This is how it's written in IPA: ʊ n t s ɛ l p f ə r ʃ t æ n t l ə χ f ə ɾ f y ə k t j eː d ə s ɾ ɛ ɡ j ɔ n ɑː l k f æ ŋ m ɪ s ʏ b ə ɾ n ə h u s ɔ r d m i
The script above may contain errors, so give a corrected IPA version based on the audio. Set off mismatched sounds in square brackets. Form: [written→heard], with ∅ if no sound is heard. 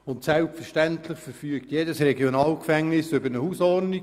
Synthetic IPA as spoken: ʊ n t s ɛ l p f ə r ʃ t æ n t l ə χ f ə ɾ f y ə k t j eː d ə s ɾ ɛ ɡ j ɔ n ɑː l k f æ ŋ [m→n] ɪ s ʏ b ə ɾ n ə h u s ɔ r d [m→n] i